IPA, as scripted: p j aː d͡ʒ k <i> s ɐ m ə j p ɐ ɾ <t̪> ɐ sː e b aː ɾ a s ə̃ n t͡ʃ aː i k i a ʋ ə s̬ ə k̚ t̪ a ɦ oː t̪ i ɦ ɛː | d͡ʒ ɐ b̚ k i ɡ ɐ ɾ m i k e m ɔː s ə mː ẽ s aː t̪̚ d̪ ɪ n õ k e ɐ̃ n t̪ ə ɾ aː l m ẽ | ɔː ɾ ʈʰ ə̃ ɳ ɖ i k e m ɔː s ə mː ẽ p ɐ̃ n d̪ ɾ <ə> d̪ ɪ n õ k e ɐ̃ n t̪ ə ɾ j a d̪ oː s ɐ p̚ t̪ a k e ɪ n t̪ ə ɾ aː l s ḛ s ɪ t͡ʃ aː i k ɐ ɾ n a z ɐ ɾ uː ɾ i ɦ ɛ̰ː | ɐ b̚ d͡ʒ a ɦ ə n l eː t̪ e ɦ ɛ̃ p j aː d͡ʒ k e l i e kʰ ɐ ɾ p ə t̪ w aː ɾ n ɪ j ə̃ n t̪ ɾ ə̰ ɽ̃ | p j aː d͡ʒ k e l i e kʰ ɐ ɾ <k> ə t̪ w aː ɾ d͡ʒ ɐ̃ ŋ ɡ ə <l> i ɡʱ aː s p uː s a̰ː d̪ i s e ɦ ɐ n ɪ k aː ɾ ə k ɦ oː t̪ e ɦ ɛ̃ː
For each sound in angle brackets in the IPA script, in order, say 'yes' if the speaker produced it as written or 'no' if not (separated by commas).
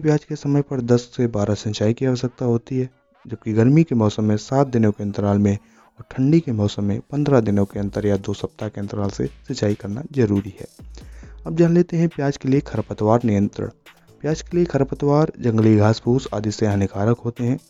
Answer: no, no, no, no, yes